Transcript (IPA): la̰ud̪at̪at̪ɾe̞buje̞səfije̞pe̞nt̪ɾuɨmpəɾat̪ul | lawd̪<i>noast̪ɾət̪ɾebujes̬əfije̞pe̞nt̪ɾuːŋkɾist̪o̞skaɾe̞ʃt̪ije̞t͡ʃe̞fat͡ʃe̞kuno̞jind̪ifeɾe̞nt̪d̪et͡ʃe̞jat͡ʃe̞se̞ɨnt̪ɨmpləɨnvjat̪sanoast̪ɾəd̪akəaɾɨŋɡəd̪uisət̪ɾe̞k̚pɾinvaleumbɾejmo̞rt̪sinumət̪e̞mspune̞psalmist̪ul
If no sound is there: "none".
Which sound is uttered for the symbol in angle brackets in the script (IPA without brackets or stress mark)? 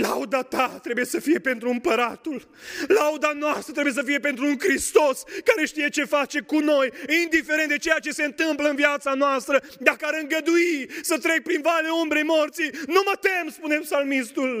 a